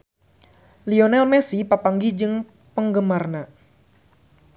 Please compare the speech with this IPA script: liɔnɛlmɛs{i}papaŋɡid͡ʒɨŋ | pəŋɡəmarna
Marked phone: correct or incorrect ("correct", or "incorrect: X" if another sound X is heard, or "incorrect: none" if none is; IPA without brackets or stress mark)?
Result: correct